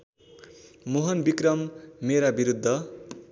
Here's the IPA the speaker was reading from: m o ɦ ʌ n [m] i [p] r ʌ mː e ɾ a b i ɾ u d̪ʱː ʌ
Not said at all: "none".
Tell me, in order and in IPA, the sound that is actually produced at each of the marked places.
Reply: b, k

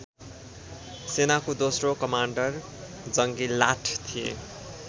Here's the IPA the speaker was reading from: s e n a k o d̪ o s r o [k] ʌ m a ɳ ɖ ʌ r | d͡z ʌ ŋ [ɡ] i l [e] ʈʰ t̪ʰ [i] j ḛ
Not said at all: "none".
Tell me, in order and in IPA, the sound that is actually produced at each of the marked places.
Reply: k, ɡ, a, i

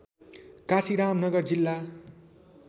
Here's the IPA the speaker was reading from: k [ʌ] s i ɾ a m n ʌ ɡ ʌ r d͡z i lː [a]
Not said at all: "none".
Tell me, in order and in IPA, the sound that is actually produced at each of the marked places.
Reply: a, a

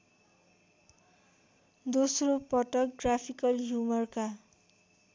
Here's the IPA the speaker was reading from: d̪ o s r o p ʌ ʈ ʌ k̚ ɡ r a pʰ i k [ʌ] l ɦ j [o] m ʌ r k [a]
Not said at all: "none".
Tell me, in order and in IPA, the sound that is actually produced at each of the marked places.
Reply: ʌ, u, a

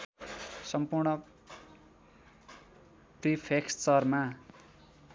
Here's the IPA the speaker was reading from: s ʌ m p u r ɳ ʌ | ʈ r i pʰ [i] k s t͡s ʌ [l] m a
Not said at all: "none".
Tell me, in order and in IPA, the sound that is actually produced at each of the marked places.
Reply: e, r

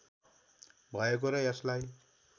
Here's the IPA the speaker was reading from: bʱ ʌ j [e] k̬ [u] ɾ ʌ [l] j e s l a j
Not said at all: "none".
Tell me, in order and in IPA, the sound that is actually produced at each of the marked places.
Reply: e, o, none

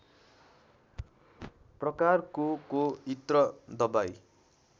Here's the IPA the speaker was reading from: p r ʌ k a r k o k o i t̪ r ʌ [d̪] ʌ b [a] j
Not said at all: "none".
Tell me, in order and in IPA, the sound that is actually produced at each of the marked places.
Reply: d̪, a

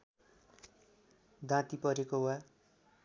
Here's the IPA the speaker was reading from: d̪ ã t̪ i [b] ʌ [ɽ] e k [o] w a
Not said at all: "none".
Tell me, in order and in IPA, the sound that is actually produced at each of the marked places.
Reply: p, ɾ, o

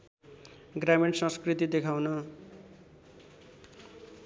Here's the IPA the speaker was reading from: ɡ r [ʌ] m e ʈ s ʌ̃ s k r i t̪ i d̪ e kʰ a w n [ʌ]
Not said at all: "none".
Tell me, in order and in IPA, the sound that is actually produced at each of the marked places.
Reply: a, ʌ

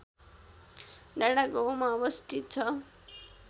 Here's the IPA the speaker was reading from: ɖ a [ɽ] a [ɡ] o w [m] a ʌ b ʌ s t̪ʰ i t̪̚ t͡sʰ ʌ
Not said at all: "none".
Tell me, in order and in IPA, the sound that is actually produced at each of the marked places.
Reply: ɽ, ɡ, m

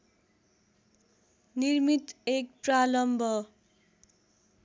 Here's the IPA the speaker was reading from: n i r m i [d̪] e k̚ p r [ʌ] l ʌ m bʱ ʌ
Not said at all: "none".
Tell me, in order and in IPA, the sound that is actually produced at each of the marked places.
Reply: t̪, a

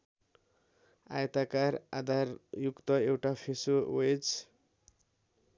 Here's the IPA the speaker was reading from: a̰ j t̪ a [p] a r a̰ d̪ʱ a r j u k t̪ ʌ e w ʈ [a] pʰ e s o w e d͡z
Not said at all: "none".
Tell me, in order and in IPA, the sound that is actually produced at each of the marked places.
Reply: k, a

